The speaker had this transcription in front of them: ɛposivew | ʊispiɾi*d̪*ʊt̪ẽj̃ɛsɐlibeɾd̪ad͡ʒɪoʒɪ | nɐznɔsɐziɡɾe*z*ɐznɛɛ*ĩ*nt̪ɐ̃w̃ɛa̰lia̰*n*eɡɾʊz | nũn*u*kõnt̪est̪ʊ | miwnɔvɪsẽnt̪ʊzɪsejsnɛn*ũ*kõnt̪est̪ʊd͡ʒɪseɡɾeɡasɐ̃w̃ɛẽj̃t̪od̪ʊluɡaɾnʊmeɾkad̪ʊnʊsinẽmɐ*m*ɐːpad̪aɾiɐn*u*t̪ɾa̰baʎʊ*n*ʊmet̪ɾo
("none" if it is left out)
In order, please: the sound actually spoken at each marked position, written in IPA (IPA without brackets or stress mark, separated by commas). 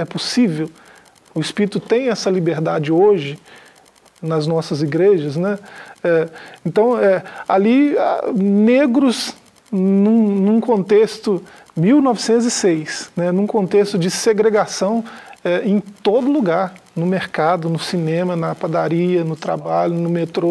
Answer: t̪, ʒ, ẽ, n, ũ, ũ, n, ʊ, n